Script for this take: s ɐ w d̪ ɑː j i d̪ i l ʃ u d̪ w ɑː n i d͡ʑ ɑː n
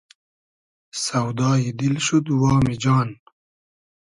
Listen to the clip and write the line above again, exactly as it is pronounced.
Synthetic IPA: s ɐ w d̪ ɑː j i d̪ i l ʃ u d̪ w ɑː m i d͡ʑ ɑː n